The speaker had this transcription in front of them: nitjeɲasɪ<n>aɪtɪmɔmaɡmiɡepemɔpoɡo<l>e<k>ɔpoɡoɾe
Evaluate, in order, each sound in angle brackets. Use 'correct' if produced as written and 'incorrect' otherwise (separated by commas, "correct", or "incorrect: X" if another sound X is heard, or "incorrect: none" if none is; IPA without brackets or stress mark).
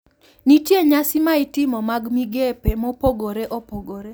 incorrect: m, incorrect: ɾ, incorrect: ʔ